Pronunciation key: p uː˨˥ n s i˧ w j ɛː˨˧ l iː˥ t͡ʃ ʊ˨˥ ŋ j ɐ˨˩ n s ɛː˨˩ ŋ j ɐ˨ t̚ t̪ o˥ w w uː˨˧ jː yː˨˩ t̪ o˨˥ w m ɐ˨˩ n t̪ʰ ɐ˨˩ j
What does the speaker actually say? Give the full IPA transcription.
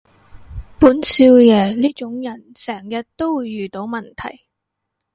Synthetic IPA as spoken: p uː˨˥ n s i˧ w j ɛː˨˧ l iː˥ t͡ʃ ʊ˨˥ ŋ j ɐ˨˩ n s ɛː˨˩ ŋ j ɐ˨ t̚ t̪ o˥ w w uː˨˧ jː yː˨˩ t̪ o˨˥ w m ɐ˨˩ n t̪ʰ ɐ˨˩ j

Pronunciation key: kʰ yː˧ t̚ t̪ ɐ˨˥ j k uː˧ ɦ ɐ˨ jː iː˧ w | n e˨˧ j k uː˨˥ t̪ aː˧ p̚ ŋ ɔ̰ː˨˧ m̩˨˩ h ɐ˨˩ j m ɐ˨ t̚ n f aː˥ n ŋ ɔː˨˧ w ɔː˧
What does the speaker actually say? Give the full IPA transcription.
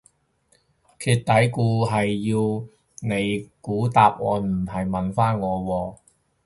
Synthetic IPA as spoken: kʰ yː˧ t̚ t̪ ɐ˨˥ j k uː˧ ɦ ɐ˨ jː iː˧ w | n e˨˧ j k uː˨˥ t̪ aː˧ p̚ ŋ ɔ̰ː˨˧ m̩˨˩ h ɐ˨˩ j m ɐ˨ n f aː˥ n ŋ ɔː˨˧ w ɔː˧

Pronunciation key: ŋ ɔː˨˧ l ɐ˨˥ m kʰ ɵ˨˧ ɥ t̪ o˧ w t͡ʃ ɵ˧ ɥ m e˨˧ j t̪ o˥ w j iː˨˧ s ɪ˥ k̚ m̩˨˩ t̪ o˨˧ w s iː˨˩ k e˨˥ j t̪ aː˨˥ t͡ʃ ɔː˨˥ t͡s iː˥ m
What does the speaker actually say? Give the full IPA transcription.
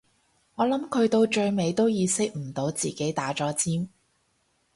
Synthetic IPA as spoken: ŋ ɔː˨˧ l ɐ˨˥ m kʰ ɵ˨˧ ɥ t̪ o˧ w t͡ʃ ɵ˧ ɥ m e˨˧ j t̪ o˥ w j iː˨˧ s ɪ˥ k̚ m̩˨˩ t̪ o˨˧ w t͡s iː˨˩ k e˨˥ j t̪ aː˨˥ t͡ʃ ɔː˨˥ t͡s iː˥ m

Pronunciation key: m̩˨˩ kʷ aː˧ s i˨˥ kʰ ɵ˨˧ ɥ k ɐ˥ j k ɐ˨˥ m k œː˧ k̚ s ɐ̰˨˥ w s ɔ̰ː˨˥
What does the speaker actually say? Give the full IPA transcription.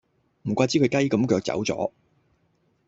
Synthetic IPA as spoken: m̩˨˩ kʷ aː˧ t͡s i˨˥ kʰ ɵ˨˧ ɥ k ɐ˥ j k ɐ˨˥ m k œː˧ k̚ t͡s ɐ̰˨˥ w t͡s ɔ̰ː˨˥

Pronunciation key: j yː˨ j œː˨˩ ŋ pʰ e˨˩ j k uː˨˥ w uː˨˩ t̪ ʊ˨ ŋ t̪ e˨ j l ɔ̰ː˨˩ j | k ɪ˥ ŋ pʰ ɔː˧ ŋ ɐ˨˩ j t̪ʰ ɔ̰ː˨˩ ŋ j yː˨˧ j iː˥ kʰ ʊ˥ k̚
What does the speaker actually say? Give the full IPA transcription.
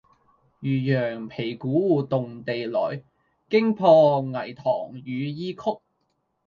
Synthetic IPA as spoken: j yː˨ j œː˨˩ ŋ pʰ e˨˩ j k uː˨˥ w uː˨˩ t̪ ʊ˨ ŋ t̪ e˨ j l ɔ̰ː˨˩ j | k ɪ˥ ŋ pʰ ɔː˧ ŋ ɐ˨˩ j t̪ʰ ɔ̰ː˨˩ ŋ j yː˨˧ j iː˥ kʰ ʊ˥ k̚

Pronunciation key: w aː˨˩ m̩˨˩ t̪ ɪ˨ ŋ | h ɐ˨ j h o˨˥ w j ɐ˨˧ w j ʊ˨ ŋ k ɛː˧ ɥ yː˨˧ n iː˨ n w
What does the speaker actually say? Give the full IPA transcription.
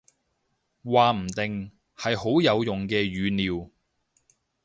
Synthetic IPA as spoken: w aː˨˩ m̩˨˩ t̪ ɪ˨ ŋ | h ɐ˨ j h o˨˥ w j ɐ˨˧ w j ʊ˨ ŋ k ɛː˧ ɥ yː˨˧ n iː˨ w

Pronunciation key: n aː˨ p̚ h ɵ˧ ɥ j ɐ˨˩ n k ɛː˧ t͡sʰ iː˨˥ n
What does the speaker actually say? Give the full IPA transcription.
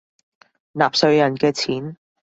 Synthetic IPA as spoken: n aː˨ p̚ s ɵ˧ ɥ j ɐ˨˩ n k ɛː˧ t͡sʰ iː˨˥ n

